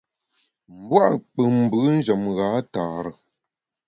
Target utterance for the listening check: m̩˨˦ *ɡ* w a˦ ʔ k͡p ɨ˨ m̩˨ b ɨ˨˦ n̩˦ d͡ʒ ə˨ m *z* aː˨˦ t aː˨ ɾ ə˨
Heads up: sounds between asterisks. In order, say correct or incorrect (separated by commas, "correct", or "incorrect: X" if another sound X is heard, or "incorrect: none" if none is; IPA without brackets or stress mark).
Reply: incorrect: b, incorrect: ɣ